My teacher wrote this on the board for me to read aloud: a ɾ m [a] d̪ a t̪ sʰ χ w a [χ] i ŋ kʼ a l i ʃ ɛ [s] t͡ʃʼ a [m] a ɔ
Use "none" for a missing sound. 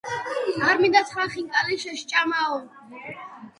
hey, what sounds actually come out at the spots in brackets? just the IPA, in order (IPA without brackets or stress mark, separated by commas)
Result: i, χ, ʃ, m